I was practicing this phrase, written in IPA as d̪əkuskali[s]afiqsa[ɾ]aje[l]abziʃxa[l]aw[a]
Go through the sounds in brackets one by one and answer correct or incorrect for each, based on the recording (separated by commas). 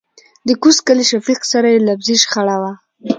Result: incorrect, correct, correct, incorrect, correct